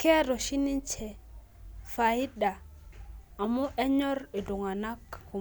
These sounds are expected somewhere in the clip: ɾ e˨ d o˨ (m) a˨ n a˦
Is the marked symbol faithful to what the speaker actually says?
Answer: no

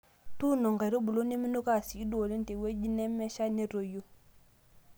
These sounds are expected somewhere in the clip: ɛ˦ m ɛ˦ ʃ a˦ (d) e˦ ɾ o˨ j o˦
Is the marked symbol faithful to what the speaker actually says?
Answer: no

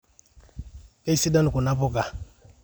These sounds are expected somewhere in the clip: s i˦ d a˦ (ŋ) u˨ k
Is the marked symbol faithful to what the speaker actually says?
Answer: no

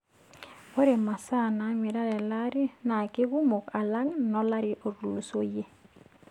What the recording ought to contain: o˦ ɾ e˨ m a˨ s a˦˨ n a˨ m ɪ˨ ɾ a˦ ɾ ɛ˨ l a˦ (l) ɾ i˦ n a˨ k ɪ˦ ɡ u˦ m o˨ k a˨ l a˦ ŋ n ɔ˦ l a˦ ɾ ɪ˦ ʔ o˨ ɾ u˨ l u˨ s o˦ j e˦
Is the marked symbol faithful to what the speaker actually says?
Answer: no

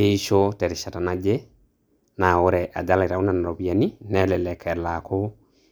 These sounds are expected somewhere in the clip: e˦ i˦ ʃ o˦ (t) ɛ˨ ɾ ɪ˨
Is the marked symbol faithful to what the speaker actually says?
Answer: yes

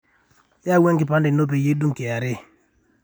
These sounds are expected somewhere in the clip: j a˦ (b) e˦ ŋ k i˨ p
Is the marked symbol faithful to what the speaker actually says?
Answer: no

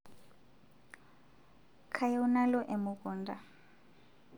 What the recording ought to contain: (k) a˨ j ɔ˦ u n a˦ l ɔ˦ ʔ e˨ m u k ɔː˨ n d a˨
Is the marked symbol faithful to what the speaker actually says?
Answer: no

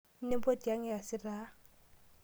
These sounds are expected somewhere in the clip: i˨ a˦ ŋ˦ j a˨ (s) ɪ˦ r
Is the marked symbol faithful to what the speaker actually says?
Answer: yes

